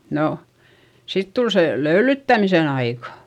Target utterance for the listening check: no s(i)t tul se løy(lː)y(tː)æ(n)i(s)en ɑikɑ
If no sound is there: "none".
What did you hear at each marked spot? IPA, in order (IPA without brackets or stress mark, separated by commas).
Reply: i, l, tː, m, s